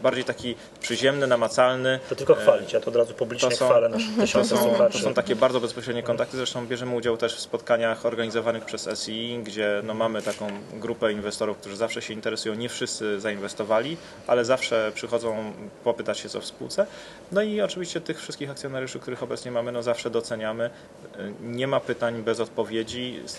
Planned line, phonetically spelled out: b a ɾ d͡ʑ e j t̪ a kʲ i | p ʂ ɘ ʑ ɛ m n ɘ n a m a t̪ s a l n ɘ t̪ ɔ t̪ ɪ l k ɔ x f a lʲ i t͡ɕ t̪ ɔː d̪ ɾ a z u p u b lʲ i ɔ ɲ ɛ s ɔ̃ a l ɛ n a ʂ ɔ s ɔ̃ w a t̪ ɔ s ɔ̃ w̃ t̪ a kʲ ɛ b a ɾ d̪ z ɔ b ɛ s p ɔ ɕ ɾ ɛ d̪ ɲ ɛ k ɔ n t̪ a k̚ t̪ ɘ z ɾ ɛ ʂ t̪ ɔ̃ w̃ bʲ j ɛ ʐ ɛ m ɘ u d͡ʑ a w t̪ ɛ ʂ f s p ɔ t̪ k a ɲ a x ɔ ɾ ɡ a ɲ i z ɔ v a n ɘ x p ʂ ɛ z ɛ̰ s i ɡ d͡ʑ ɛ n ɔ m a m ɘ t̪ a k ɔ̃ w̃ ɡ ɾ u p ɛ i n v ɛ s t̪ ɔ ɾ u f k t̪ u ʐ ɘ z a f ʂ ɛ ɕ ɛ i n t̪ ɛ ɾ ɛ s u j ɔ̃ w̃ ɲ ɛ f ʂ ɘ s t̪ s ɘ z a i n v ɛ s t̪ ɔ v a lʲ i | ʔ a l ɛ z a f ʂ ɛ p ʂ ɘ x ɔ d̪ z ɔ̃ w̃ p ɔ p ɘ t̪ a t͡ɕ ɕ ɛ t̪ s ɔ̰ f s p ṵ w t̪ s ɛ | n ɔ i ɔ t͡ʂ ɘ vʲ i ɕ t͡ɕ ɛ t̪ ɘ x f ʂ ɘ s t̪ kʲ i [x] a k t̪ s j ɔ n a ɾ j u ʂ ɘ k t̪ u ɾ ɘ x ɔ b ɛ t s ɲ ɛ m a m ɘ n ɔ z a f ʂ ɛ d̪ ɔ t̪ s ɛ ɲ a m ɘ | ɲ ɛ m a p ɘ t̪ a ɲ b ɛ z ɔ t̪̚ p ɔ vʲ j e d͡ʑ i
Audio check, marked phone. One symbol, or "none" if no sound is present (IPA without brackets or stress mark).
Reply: x